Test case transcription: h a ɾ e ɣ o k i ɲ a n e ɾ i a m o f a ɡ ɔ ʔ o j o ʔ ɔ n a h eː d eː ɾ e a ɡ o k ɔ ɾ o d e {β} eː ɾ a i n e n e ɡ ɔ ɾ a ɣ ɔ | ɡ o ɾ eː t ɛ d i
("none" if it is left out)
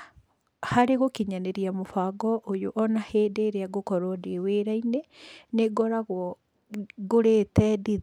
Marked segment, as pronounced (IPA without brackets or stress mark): w